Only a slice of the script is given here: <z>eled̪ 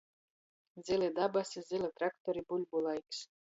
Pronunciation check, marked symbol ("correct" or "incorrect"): correct